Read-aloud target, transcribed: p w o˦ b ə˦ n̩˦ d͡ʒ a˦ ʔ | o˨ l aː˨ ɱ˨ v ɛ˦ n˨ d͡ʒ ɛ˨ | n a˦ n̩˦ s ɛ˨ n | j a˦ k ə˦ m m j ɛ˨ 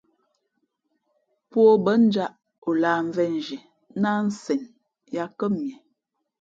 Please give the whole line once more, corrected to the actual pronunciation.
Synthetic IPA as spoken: p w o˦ b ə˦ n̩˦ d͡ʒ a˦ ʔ | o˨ l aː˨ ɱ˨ v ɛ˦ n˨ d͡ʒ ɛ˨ | n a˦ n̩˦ s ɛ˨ n | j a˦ k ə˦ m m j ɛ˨